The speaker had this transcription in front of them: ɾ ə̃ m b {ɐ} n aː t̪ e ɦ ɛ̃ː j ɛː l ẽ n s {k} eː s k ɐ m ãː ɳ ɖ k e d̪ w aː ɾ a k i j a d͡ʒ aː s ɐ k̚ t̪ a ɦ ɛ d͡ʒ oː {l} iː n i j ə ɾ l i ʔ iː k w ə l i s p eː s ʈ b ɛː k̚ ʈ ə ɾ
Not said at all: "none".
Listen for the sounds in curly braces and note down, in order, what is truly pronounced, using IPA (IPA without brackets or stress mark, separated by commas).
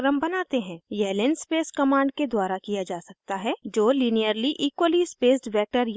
ɐ, p, l